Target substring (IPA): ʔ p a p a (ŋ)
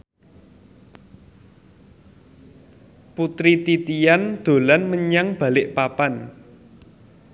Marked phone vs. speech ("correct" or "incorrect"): incorrect